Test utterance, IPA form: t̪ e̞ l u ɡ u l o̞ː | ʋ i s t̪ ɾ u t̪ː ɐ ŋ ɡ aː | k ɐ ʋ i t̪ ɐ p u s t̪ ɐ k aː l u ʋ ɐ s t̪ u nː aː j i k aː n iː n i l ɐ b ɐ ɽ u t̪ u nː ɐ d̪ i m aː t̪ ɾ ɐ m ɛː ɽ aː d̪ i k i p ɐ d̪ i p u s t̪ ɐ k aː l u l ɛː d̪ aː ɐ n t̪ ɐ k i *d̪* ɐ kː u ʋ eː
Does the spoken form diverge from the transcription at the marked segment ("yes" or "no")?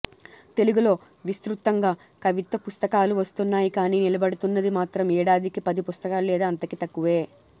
yes